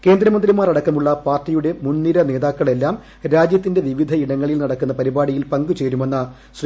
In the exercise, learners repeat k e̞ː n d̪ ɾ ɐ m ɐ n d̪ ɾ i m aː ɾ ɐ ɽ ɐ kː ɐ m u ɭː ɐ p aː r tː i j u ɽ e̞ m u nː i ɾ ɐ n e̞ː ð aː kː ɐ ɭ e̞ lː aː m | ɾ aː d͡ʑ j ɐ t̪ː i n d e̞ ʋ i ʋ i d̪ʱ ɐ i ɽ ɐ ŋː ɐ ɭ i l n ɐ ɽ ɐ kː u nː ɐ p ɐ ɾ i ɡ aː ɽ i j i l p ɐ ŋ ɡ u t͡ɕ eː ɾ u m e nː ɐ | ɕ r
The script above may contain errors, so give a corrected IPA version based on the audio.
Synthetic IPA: k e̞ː n d̪ ɾ ɐ m ɐ n d̪ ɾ i m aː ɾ ɐ ɽ ɐ kː ɐ m u ɭː ɐ p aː r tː i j u ɽ e̞ m u nː i ɾ ɐ n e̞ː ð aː kː ɐ ɭ e̞ lː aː m | ɾ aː d͡ʑ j ɐ t̪ː i n d e̞ ʋ i ʋ i d̪ʱ ɐ i ɽ ɐ ŋː ɐ ɭ i l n ɐ ɽ ɐ kː u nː ɐ p ɐ ɾ i b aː ɽ i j i l p ɐ ŋ ɡ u t͡ɕ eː ɾ u m e nː ɐ | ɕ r

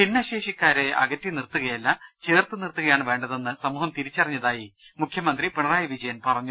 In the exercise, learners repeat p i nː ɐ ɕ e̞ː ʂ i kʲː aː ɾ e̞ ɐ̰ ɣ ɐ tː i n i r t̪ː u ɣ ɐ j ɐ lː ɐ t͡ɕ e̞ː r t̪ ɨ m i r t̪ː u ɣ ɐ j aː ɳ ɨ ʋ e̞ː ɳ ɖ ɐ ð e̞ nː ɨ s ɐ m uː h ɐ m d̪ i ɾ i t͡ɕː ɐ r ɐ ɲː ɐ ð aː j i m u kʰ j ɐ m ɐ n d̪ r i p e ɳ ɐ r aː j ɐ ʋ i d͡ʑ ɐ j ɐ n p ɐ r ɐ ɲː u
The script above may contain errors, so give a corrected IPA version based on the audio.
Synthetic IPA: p i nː ɐ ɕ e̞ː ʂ i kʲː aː ɾ e̞ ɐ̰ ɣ ɐ tː i n i r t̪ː u ɣ ɐ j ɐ lː ɐ t͡ɕ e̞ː r t̪ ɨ n i r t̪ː u ɣ ɐ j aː ɳ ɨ ʋ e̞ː ɳ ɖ ɐ ð e̞ nː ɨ s ɐ m uː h ɐ m t̪ i ɾ i t͡ɕː ɐ r ɐ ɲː ɐ ð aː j i m u kʰ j ɐ m ɐ n d̪ r i p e ɳ ɐ r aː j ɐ ʋ i d͡ʑ ɐ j ɐ n p ɐ r ɐ ɲː u

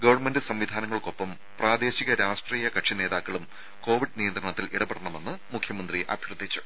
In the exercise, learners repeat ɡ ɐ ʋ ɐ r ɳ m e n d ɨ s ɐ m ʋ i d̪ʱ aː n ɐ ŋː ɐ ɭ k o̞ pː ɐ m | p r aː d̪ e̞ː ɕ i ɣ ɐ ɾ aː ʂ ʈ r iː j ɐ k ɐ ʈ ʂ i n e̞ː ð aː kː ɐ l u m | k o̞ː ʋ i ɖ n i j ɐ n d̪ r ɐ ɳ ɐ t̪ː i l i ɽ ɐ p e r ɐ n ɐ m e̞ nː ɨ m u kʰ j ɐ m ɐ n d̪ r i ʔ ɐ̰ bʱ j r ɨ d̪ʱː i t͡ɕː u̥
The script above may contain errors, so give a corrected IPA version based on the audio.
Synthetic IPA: ɡ ɐ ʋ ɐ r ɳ m e n d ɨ s ɐ m ʋ i d̪ʱ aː n ɐ ŋː ɐ ɭ k o̞ pː ɐ m | p r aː d̪ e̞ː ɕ i ɣ ɐ ɾ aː ʂ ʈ r iː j ɐ k ɐ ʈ ʂ i n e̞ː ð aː kː ɐ ɭ u m | k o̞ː ʋ i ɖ n i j ɐ n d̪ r ɐ ɳ ɐ t̪ː i l i ɽ ɐ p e ɽ ɐ ɳ ɐ m e̞ nː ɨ m u kʰ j ɐ m ɐ n d̪ r i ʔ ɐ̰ bʱ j r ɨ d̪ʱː i t͡ɕː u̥

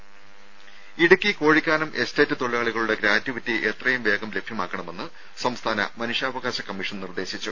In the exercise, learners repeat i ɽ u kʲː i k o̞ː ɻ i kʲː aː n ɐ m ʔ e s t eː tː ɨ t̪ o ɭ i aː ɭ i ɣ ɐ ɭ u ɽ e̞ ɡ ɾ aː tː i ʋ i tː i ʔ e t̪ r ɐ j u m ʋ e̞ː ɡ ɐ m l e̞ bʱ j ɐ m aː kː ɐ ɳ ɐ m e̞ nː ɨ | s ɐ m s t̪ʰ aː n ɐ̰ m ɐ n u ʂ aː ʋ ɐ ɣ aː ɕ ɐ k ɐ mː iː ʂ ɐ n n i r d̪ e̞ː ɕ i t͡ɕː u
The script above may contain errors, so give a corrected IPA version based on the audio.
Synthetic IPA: i ɽ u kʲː i k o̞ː ɻ i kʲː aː n ɐ m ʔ e s t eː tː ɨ t̪ o ɭ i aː ɭ i ɣ ɐ ɭ u ɽ e̞ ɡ ɾ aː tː i ʋ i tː i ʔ e t̪ r ɐ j u m ʋ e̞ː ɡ ɐ m l e̞ bʱ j ɐ m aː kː ɐ ɳ ɐ m e̞ nː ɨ | s ɐ m s t̪ʰ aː n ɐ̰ m ɐ n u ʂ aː ʋ ɐ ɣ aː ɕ ɐ k ɐ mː i ʂ ɐ n n i r d̪ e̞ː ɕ i t͡ɕː u

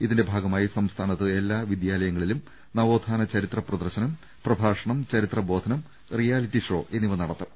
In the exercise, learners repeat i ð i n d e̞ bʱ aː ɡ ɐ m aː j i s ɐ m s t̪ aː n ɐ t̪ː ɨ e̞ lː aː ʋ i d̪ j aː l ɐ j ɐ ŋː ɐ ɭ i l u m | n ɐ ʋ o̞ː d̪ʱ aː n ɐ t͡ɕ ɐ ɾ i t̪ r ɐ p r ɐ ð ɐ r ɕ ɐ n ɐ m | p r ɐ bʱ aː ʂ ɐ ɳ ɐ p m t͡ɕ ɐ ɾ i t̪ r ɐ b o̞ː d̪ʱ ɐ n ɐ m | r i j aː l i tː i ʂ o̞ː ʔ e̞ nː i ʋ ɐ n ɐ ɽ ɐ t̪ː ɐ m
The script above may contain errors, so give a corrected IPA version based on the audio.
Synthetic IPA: i ð i n d e̞ bʱ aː ɡ ɐ m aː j i s ɐ m s t̪ʰ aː n ɐ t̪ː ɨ e̞ lː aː ʋ i d̪ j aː l ɐ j ɐ ŋː ɐ ɭ i l u m | n ɐ ʋ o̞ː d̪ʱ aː n ɐ t͡ɕ ɐ ɾ i t̪ r ɐ p r ɐ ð ɐ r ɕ ɐ n ɐ m | p r ɐ bʱ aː ʂ ɐ ɳ ɐ m t͡ɕ ɐ ɾ i t̪ r ɐ b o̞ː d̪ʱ ɐ n ɐ m | r i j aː l i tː i ʂ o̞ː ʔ e̞ nː i ʋ ɐ n ɐ ɽ ɐ t̪ː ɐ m

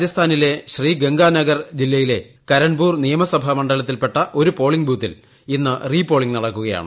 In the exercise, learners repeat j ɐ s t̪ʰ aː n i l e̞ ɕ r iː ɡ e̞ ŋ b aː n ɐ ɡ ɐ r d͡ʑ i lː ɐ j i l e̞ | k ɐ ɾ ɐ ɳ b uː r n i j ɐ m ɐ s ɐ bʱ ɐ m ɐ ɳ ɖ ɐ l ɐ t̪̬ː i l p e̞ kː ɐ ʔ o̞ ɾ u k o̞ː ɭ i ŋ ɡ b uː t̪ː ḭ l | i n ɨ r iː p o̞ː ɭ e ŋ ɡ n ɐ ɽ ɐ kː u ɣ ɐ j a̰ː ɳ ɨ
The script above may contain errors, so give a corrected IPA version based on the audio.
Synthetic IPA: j ɐ s t̪ʰ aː n i l e̞ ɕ r iː ɡ e̞ ŋ ɡ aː n ɐ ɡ ɐ r d͡ʑ i lː ɐ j i l e̞ | k ɐ ɾ ɐ ɳ b uː r n i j ɐ m ɐ s ɐ bʱ ɐ m ɐ ɳ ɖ ɐ l ɐ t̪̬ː i l p e̞ ʈː ɐ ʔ o̞ ɾ u p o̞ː ɭ i ŋ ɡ b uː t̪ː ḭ l | i nː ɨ r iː p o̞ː ɭ i ŋ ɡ n ɐ ɽ ɐ kː u ɣ ɐ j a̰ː ɳ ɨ

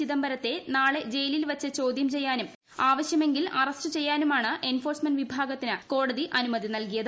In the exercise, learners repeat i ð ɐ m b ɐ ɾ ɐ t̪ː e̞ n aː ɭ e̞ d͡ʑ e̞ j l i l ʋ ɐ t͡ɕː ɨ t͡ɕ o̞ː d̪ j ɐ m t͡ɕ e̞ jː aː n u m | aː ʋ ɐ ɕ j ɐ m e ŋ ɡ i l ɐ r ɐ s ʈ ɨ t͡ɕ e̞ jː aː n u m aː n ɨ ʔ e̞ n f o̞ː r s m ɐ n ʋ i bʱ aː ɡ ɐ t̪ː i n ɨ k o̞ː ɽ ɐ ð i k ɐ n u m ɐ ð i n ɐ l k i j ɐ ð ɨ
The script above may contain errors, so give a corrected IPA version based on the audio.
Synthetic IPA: i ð ɐ m b ɐ ɾ ɐ t̪ː e̞ n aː ɭ e̞ d͡ʑ e̞ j l i l ʋ ɐ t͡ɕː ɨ t͡ɕ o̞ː d̪ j ɐ m t͡ɕ e̞ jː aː n u m | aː ʋ ɐ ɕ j ɐ m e ŋ ɡ i l ɐ r ɐ s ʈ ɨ t͡ɕ e̞ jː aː n u m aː ɳ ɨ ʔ e̞ n f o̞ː r s m ɐ n ʋ i bʱ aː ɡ ɐ t̪ː i n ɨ k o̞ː ɽ ɐ ð i ʔ ɐ n u m ɐ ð i n ɐ l k i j ɐ ð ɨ

